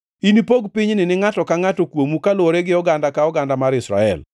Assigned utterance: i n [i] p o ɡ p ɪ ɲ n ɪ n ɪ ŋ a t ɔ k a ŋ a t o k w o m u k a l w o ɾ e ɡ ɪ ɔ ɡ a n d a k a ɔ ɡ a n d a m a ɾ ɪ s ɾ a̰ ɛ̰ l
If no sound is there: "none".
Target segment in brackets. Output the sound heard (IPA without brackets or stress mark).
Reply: i